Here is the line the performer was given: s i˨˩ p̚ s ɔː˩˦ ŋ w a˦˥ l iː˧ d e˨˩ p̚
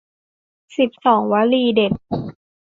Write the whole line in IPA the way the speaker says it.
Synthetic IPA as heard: s i˨˩ p̚ s ɔː˩˦ ŋ w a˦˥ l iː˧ d e˨˩ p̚